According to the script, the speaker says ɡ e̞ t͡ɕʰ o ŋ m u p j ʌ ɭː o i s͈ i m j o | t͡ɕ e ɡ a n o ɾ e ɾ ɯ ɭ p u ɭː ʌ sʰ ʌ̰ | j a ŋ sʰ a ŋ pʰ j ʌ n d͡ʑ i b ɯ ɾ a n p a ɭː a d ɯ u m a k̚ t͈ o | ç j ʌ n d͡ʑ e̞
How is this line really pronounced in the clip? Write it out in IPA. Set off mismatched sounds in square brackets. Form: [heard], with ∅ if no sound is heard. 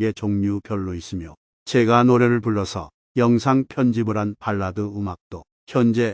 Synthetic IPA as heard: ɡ e̞ [t͡ɕ] o ŋ [ɲ] u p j ʌ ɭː o i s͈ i m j o | t͡ɕ e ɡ a n o ɾ e ɾ ɯ ɭ p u ɭː ʌ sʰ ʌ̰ | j [ʌ] ŋ sʰ a ŋ pʰ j ʌ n d͡ʑ i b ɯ ɾ a n p a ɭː a d ɯ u m a k̚ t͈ o | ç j ʌ n d͡ʑ e̞